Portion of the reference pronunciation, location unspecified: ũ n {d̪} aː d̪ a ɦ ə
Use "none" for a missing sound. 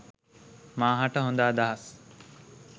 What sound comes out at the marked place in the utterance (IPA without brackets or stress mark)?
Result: d̪